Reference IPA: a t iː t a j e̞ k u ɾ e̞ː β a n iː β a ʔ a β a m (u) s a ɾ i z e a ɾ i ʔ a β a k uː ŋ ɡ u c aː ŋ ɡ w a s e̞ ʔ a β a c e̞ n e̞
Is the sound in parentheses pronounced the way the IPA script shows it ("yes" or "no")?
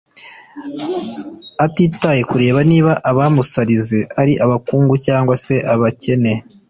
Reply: yes